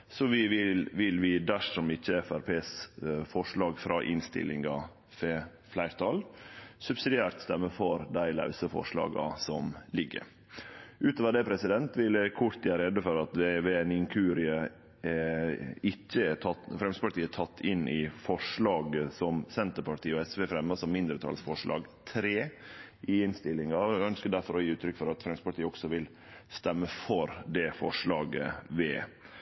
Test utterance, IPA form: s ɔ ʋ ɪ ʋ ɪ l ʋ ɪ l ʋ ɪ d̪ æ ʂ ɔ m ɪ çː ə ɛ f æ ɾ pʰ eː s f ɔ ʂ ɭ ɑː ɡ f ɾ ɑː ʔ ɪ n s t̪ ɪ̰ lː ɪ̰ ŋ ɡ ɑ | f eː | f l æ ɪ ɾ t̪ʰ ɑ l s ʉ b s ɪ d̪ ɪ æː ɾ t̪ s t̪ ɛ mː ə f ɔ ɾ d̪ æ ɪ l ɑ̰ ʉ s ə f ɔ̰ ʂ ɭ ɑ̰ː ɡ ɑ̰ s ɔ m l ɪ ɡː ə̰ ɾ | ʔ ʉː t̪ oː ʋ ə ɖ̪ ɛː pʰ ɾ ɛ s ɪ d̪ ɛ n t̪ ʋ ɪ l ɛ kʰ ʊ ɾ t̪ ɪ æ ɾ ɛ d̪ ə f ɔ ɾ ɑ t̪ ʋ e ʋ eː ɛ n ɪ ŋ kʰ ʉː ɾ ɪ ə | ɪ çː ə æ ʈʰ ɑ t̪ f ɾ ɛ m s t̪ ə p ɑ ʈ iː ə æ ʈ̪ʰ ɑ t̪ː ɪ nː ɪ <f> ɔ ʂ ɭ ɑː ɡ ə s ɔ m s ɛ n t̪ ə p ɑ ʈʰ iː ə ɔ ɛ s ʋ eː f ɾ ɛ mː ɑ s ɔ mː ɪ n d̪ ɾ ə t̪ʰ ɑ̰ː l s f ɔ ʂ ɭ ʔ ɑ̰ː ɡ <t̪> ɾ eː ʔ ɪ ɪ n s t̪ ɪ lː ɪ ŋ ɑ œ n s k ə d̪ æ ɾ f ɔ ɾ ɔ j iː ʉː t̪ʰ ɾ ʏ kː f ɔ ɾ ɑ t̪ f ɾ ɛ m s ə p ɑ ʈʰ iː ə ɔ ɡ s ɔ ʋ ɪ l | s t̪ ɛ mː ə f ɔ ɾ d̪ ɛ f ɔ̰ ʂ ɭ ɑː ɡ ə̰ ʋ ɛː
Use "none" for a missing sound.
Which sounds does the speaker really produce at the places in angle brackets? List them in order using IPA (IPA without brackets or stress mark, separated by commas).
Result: f, t̪ʰ